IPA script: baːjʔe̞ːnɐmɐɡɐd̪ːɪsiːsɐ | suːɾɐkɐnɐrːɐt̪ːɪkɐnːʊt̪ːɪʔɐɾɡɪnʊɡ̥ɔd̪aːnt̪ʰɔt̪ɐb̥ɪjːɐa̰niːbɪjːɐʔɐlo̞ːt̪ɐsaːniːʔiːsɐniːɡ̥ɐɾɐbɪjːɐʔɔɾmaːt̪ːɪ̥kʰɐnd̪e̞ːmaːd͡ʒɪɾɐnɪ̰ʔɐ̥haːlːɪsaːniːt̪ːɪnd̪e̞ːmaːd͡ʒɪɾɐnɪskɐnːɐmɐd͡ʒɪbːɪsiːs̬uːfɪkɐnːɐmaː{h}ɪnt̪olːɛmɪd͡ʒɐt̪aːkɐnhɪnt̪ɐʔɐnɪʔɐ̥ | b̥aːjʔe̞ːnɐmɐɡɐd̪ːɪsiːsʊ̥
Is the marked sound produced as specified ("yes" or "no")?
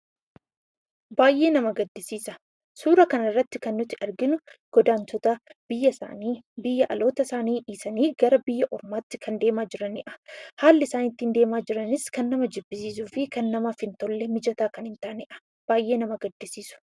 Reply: no